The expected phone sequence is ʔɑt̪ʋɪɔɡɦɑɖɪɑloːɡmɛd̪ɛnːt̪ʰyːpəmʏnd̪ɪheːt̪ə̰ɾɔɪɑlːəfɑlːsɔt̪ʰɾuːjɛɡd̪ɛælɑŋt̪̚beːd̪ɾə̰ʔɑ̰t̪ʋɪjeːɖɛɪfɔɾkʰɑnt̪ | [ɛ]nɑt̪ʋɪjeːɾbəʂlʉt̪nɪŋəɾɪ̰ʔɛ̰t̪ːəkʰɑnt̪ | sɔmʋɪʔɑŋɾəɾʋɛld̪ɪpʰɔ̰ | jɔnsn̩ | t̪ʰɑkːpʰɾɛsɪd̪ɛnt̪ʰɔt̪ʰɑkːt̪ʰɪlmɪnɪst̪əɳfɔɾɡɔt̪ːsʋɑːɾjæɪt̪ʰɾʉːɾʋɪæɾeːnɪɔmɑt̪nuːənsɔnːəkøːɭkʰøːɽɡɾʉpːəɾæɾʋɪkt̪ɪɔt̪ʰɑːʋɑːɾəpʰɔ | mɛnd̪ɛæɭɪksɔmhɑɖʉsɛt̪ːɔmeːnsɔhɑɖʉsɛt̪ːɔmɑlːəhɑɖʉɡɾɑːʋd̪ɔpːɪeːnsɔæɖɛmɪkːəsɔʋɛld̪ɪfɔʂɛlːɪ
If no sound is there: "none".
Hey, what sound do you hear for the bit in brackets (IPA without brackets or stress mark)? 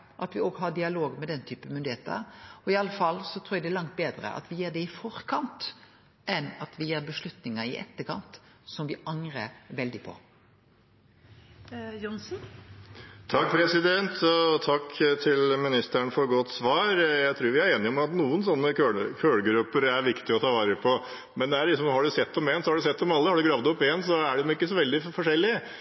ɛ